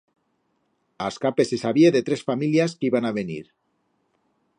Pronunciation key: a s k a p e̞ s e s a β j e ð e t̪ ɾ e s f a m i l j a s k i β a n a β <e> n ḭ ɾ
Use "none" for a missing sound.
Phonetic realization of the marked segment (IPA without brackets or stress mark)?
e